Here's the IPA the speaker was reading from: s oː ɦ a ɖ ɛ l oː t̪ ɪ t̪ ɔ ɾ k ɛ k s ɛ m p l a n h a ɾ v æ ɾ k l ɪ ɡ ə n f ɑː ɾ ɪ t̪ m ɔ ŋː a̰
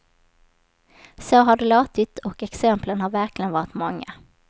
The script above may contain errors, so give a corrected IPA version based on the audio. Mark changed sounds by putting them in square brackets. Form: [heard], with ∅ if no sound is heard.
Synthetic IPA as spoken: s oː ɦ a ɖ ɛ l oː t̪ ɪ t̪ ɔ [∅] k ɛ k s ɛ m p l [ə] n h a ɾ v æ ɾ k l ɪ ɡ ə n [v] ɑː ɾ ɪ t̪ m ɔ ŋː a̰